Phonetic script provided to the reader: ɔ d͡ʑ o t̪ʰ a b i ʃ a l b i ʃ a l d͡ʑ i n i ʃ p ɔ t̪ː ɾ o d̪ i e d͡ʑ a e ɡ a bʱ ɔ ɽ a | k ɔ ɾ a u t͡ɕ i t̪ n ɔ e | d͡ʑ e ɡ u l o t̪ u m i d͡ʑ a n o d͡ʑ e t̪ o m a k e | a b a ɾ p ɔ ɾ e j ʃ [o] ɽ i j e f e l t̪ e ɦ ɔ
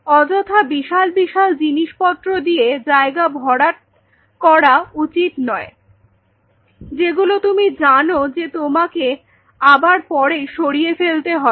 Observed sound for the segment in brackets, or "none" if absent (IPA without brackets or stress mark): o